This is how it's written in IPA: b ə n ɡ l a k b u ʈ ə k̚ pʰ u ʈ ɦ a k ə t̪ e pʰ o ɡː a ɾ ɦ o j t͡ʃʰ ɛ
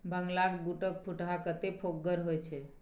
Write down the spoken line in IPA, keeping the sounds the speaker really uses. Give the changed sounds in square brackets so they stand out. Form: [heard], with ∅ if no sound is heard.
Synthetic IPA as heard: b ə [ŋ] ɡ l a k b u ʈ ə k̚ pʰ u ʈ ɦ a k ə t̪ e pʰ o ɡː [ə] ɾ ɦ o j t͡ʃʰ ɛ